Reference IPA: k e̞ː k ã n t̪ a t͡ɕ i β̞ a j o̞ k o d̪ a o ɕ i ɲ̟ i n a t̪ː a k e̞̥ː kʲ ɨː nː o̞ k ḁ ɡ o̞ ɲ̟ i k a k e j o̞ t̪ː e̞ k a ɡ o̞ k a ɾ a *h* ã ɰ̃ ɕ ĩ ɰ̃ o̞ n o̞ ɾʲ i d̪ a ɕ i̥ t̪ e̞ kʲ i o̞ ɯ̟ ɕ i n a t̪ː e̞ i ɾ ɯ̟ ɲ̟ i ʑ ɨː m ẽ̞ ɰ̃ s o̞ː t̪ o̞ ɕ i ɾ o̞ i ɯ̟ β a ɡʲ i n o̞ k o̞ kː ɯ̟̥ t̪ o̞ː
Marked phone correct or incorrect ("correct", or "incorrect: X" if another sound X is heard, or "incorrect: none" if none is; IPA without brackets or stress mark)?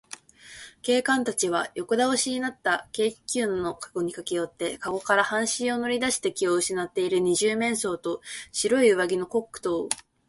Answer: correct